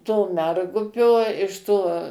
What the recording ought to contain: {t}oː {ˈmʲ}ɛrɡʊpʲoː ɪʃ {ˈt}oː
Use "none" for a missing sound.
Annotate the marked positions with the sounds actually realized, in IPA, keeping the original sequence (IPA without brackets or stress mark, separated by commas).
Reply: t, mʲ, t